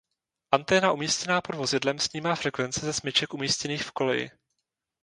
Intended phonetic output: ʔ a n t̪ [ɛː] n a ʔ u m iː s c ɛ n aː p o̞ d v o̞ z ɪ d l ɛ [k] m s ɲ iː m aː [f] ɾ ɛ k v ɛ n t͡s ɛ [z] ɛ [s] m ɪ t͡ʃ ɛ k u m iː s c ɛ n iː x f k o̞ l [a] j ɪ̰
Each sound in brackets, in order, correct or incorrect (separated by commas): correct, incorrect, correct, correct, correct, incorrect